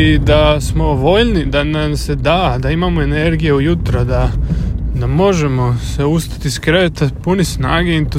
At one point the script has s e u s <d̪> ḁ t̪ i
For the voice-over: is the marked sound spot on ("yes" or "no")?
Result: no